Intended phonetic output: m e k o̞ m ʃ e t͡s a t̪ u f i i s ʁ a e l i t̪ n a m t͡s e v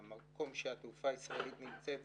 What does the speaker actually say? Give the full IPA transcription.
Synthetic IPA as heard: m a k o̞ m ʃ e a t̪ u f a i s ʁ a e l i t̪ n i m t͡s e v